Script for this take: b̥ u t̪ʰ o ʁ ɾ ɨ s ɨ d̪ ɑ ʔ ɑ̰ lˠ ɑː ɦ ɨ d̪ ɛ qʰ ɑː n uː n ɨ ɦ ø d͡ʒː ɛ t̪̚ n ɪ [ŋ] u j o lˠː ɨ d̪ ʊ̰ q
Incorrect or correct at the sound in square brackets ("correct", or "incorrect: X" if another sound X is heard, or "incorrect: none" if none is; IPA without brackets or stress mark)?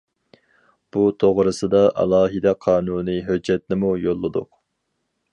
incorrect: m